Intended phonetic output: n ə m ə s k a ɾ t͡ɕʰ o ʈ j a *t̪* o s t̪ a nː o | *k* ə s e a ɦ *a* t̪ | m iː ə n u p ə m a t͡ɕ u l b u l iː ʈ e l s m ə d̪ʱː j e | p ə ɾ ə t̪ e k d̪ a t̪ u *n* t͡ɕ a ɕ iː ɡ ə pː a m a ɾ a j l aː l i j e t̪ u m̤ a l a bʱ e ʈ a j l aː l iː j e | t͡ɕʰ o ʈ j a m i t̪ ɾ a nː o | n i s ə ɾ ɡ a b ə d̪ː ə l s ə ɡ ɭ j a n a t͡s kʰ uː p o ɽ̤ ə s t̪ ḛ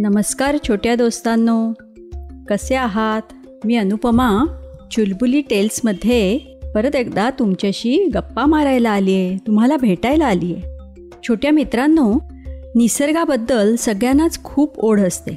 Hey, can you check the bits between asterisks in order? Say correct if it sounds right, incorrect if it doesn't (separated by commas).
incorrect, correct, correct, incorrect